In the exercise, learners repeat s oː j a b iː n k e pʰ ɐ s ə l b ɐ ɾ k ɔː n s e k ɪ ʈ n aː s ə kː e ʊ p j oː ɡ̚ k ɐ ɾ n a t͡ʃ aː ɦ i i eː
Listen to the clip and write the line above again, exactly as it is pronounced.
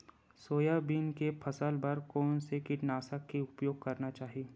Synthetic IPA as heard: s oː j a b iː n k e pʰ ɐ s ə l b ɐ ɾ k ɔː n s e k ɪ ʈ n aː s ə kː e ʊ p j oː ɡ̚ k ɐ ɾ n a t͡ʃ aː ɦ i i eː